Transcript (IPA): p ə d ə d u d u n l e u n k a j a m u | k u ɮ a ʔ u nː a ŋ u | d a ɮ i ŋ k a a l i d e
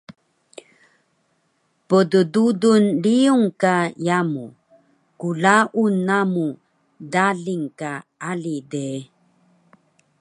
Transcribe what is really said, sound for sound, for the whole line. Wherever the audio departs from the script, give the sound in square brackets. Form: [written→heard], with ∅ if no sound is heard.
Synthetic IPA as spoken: p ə d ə d u d u n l [e→i] u [n→ŋ] k a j a m u | k u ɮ a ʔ u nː a [ŋ→m] u | d a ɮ i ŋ k a a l i d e